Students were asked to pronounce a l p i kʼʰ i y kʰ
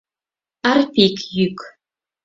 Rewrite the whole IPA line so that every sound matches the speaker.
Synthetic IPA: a r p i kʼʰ j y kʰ